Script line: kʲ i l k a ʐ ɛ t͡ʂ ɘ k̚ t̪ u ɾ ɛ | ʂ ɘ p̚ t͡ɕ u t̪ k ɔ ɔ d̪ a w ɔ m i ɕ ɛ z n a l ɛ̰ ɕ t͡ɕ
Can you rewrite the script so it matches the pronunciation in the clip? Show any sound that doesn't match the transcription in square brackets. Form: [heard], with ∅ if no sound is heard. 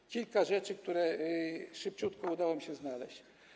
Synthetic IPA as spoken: kʲ i l k a ʐ ɛ t͡ʂ ɘ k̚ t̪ u ɾ ɛ | ʂ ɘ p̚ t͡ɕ u t̪ k ɔ [u] d̪ a w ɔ m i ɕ ɛ z n a l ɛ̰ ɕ t͡ɕ